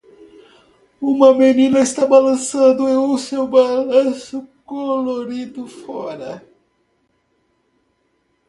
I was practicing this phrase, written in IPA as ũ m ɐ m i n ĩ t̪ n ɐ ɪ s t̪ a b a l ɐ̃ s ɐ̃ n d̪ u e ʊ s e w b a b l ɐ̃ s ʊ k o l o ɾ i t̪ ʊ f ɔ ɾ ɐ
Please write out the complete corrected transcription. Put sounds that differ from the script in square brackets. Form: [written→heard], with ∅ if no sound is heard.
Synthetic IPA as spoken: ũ m ɐ m [i→e] n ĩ [t̪→∅] n ɐ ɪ s t̪ a b a l ɐ̃ s ɐ̃ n d̪ [u→ʊ] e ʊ s e w b a [b→∅] l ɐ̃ s ʊ k o l o ɾ i [t̪→d̪] ʊ f ɔ ɾ ɐ